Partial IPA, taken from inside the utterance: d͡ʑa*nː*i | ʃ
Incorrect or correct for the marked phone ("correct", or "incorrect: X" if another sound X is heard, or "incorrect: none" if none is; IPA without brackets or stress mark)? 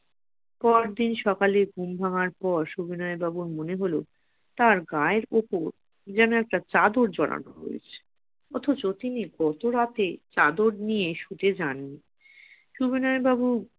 correct